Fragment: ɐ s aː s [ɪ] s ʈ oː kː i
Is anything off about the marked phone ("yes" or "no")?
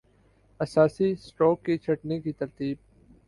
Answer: yes